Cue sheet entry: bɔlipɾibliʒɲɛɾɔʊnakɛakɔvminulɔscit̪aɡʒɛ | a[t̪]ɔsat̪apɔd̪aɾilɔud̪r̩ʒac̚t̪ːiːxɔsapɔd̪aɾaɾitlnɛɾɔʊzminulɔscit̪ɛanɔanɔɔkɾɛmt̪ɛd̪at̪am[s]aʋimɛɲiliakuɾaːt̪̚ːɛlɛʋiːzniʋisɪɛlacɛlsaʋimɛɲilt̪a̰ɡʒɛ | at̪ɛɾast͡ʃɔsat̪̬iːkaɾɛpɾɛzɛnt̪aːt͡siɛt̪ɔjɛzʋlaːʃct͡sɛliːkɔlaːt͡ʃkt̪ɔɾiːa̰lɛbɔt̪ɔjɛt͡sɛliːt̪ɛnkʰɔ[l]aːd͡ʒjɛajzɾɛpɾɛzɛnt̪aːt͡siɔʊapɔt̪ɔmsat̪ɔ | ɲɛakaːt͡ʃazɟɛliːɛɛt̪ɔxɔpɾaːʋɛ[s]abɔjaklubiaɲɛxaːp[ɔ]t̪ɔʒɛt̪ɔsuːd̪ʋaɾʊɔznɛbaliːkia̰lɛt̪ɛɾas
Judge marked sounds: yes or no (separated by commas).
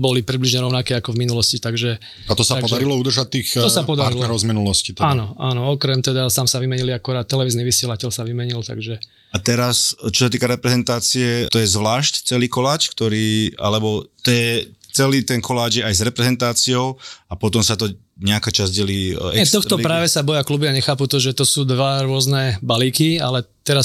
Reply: yes, yes, yes, yes, no